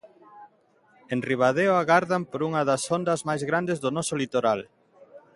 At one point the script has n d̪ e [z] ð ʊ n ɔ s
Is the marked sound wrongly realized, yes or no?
no